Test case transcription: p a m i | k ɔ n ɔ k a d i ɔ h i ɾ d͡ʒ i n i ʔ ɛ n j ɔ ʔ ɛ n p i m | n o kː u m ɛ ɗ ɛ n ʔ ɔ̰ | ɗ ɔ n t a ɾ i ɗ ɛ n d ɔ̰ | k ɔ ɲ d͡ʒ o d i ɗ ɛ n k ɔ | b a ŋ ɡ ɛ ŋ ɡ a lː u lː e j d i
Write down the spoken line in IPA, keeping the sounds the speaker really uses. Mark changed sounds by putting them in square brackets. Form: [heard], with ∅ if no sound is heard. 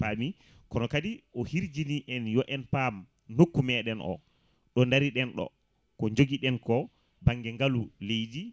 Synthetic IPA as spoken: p a m i | k ɔ n ɔ k a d i ɔ h i ɾ d͡ʒ i n i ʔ ɛ n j ɔ ʔ ɛ n p [a] m | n o kː u m ɛ ɗ ɛ n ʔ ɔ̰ | ɗ ɔ n [d] a ɾ i ɗ ɛ n [ɗ] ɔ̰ | k ɔ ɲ d͡ʒ o [ɡ] i ɗ ɛ n k ɔ | b a ŋ ɡ ɛ ŋ ɡ a [l] u [l] e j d i